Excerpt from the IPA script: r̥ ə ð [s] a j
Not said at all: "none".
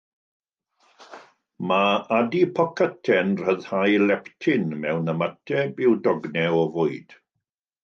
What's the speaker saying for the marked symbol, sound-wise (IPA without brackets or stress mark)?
h